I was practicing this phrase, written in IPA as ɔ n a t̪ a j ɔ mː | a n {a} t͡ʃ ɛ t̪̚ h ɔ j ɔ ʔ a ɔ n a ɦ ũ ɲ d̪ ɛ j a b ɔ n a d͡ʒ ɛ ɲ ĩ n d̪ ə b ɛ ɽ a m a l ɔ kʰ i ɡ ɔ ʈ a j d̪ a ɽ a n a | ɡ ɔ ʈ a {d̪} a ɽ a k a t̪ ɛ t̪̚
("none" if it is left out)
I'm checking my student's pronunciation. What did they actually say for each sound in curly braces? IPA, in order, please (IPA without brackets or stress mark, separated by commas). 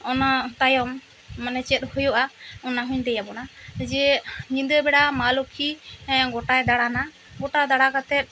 ɛ, d̪